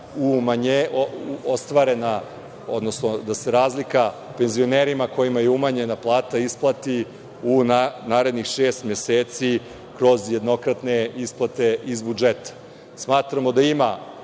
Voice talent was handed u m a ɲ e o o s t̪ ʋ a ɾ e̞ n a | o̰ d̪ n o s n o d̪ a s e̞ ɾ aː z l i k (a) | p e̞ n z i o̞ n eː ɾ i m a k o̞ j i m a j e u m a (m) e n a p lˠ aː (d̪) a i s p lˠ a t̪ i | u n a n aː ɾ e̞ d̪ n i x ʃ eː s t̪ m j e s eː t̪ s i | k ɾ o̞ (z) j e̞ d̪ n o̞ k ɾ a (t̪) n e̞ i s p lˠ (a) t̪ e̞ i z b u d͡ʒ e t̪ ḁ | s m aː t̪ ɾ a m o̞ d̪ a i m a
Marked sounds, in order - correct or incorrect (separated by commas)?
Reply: correct, incorrect, incorrect, correct, correct, correct